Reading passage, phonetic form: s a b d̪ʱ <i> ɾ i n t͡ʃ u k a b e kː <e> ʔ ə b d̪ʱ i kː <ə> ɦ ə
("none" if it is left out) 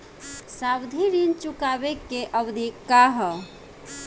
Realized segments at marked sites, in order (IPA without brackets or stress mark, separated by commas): i, e, a